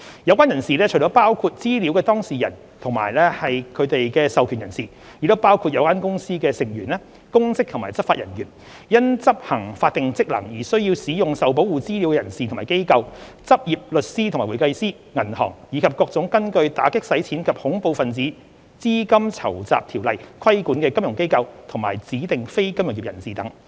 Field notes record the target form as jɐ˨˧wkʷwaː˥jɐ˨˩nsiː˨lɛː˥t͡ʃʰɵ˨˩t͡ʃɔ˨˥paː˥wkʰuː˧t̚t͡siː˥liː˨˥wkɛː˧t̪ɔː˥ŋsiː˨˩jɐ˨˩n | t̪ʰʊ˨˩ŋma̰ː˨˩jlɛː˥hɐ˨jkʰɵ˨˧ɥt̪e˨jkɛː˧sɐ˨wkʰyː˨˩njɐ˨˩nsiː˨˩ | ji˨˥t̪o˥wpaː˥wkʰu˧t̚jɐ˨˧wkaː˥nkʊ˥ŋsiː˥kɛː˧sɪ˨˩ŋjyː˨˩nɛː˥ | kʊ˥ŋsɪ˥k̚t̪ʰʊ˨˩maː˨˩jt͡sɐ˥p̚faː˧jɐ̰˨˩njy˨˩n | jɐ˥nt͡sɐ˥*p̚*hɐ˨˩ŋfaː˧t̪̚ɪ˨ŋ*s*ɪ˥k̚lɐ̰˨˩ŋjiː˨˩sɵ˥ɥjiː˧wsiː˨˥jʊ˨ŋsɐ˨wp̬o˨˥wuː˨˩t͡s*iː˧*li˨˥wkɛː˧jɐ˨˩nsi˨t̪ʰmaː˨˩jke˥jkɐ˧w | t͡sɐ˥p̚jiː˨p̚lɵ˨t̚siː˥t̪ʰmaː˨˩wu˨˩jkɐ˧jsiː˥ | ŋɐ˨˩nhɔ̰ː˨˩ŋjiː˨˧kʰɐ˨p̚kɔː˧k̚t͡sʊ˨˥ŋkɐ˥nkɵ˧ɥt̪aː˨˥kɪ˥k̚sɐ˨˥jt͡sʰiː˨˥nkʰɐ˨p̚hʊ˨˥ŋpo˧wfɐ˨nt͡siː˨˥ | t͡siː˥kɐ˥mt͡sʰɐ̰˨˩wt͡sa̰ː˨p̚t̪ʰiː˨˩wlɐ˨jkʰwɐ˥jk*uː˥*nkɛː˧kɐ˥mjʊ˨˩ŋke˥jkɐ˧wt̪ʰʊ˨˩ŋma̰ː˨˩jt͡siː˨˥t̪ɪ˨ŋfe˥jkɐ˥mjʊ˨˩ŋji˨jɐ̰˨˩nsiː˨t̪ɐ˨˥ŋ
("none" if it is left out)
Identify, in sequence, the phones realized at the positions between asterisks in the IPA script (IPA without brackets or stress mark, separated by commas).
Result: p̚, t͡s, iː˥, uː˨˥